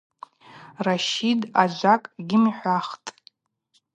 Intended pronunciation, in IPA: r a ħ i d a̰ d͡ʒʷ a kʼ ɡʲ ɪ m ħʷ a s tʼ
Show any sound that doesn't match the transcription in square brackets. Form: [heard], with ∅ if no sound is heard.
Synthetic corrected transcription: r a [ʃ] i d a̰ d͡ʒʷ a kʼ ɡʲ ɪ m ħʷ a [χ] tʼ